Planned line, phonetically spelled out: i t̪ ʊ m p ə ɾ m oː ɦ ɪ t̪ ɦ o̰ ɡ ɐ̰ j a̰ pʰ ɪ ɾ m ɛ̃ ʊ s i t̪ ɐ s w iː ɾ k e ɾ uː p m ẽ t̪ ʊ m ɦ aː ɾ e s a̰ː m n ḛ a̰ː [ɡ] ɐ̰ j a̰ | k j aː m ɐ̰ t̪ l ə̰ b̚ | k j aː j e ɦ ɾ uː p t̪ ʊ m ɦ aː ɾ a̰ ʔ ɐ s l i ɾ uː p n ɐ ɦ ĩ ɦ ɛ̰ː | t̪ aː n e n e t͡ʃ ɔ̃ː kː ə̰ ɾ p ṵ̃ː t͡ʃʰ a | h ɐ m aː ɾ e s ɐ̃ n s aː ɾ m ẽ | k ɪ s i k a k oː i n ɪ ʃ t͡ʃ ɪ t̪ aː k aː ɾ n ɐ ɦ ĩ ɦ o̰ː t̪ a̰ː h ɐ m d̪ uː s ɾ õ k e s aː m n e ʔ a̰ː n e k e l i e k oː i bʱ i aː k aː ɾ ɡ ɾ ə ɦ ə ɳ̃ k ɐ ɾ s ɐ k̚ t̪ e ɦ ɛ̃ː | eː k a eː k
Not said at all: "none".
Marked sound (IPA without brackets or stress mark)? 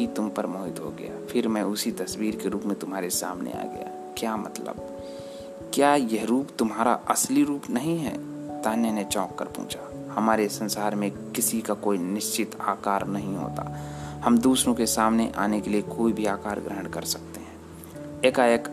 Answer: ɡ